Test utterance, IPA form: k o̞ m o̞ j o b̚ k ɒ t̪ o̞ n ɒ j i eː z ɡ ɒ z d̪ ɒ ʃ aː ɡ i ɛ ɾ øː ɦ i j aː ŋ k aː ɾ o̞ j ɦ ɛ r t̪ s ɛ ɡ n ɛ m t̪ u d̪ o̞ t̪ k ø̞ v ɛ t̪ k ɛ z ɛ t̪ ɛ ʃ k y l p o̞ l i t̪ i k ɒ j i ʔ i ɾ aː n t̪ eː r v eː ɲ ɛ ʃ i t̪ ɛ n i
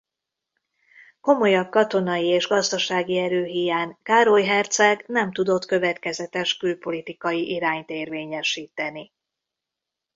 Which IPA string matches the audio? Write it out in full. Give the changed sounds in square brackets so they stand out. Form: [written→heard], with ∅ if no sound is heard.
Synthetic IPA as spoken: k o̞ m o̞ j [o→ɒ] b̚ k ɒ t̪ o̞ n ɒ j i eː [z→ʒ] ɡ ɒ z d̪ ɒ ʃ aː ɡ i ɛ ɾ øː ɦ i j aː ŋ k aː ɾ o̞ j ɦ ɛ r t̪ s ɛ ɡ n ɛ m t̪ u d̪ o̞ t̪ k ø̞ v ɛ t̪ k ɛ z ɛ t̪ ɛ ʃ k y l p o̞ l i t̪ i k ɒ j i ʔ i ɾ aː [n→ɲ] t̪ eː r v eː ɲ ɛ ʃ [i→iː] t̪ ɛ n i